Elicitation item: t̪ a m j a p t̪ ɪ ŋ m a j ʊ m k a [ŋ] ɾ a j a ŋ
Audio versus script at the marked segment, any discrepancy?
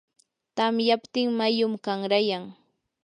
no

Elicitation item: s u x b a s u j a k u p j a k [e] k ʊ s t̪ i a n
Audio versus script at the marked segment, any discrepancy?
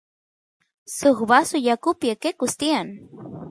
no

